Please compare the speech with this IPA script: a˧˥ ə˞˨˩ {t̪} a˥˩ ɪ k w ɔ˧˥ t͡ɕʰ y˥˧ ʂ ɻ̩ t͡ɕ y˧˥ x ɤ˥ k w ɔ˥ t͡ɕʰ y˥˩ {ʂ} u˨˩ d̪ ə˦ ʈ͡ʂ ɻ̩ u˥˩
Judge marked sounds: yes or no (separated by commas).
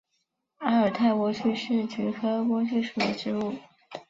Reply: no, yes